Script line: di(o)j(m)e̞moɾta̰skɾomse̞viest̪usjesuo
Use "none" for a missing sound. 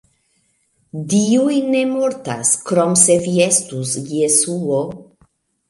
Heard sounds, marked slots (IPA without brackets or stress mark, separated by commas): u, n